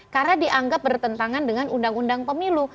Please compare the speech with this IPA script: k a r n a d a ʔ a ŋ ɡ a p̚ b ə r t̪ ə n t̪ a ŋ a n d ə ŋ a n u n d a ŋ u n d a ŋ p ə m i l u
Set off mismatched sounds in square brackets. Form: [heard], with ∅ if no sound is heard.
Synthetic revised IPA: k a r n a d [i] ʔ a ŋ ɡ a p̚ b ə r t̪ ə n t̪ a ŋ a n d ə ŋ a n u n d a ŋ u n d a ŋ p ə m i l u